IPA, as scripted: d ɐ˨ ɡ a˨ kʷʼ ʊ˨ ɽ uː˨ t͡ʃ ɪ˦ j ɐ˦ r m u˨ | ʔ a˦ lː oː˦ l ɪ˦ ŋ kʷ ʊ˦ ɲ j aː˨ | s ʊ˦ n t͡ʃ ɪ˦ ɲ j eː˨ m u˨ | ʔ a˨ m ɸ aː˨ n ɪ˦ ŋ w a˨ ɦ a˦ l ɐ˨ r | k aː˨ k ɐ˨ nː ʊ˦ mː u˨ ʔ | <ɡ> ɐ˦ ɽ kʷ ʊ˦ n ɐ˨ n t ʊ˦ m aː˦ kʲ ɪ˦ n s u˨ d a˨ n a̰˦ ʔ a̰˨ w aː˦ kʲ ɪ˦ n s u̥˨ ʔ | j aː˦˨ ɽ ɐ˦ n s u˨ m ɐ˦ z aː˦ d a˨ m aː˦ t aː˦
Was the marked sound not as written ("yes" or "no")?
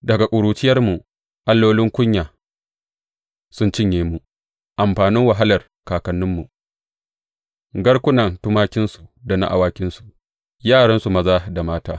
no